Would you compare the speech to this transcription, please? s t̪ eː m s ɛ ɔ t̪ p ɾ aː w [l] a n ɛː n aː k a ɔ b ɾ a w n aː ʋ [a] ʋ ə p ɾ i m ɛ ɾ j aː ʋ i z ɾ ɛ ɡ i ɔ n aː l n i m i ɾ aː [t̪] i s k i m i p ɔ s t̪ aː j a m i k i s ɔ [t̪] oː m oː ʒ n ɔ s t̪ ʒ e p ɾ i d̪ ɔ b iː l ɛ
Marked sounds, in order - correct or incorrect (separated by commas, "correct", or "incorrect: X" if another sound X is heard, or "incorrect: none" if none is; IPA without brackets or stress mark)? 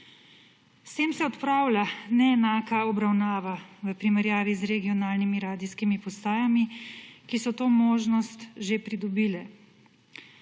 correct, correct, incorrect: d̪, correct